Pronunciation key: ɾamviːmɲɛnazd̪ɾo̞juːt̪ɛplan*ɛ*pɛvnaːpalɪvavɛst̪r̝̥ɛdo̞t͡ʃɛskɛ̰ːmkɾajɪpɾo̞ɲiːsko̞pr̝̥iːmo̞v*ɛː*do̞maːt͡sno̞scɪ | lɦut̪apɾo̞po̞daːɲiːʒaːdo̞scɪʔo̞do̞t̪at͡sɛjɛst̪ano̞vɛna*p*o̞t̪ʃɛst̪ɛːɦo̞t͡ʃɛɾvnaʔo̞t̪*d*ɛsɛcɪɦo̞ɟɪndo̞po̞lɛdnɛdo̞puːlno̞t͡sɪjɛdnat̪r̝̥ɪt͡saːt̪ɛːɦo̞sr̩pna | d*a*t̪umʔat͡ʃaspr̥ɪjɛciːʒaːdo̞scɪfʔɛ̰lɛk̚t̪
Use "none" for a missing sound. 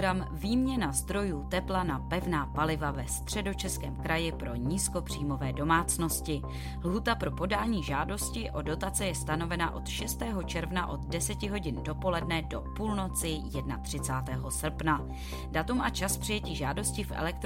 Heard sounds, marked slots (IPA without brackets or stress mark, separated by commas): a, ɛː, ʔ, d, a